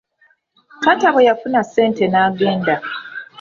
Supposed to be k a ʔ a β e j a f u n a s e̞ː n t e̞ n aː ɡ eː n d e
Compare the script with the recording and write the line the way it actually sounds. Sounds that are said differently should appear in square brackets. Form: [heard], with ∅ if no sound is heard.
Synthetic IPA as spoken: k a [t] a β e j a f u n a s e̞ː n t e̞ n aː ɡ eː n d [a]

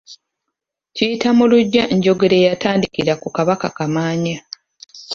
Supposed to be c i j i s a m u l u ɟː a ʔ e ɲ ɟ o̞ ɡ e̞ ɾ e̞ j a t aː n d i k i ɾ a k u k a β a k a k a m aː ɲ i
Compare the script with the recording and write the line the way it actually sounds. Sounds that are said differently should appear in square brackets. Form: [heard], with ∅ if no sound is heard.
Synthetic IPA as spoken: c i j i [t] a m u l u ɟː a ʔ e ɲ ɟ o̞ ɡ e̞ ɾ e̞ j a t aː n d i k i ɾ a k u k a β a k a k a m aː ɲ [a]

